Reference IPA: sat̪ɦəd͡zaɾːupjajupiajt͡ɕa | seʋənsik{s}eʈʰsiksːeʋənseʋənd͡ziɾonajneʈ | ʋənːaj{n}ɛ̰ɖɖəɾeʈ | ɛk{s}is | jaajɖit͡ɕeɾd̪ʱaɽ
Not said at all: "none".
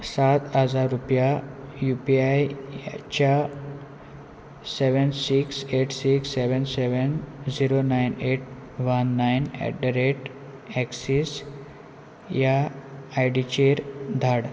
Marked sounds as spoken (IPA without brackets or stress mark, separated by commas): s, n, s